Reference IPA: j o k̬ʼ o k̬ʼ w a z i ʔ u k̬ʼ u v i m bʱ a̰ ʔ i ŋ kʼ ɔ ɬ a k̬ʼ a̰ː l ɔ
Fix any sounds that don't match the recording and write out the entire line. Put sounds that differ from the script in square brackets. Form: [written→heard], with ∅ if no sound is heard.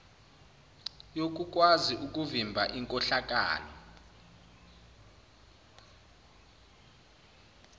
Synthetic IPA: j o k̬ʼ [o→u] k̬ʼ w a z i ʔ u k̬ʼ u v i m bʱ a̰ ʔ i ŋ kʼ ɔ ɬ a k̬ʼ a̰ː l ɔ